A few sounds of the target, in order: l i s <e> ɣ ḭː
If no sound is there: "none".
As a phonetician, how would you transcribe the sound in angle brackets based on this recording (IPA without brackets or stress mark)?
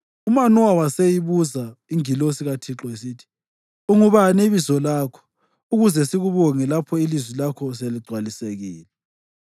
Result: e